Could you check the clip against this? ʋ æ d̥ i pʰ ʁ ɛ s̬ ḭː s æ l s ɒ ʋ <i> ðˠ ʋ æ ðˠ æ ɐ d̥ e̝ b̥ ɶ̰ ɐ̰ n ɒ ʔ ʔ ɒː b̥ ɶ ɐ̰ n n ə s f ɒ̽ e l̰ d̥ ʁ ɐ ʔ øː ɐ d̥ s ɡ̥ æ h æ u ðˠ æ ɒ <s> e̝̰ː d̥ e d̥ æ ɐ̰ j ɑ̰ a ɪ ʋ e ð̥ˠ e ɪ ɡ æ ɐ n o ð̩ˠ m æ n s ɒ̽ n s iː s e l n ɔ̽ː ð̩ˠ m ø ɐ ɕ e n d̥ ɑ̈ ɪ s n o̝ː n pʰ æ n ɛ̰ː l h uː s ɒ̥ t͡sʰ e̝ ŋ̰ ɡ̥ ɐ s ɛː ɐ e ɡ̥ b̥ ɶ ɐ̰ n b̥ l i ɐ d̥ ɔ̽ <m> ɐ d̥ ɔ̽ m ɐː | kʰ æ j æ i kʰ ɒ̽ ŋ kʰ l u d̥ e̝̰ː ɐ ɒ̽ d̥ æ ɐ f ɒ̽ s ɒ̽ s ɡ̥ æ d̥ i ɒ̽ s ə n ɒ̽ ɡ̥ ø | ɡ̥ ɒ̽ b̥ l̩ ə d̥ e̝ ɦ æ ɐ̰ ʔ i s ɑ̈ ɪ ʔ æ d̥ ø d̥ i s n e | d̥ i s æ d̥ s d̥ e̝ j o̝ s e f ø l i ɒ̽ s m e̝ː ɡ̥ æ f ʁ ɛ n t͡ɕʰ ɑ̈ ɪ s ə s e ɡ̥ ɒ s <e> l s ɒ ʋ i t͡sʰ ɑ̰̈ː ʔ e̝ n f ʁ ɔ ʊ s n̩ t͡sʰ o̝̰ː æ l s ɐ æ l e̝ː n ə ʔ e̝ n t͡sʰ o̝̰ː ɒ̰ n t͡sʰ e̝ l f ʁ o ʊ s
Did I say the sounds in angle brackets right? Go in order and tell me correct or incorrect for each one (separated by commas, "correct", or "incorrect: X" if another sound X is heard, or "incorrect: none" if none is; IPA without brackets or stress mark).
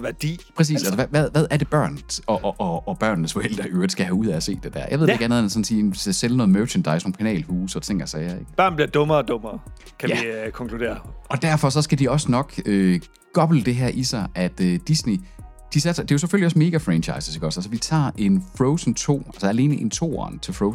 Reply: incorrect: æ, correct, correct, incorrect: æ